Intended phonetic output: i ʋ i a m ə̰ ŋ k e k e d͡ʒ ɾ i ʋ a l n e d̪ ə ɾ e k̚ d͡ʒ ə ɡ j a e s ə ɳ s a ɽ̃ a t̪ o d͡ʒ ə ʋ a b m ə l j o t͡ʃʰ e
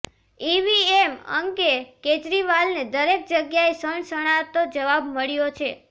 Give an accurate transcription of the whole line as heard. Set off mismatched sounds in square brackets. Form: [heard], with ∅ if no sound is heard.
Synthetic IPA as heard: i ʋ i [e] m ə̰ ŋ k e k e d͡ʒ ɾ i ʋ a l n e d̪ ə ɾ e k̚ d͡ʒ ə ɡ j a e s ə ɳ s [ə] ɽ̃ a t̪ o d͡ʒ ə ʋ a b m ə [ɭ] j o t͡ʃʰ e